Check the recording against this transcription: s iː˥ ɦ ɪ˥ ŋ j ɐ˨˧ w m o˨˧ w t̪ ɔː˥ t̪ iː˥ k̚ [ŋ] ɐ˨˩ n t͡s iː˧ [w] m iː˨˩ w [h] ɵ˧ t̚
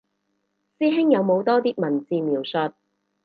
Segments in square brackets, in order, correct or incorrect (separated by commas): incorrect, incorrect, incorrect